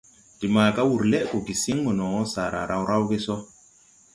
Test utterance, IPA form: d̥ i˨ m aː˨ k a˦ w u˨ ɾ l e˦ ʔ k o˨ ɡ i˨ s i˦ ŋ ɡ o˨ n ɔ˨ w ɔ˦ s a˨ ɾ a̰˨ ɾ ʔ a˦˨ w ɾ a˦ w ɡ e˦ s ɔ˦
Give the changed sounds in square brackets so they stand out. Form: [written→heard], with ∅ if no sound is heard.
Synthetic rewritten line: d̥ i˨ m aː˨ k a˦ w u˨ ɾ l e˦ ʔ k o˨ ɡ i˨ s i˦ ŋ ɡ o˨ n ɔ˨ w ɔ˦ s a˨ ɾ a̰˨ ɾ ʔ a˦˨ w ɾ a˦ w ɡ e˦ s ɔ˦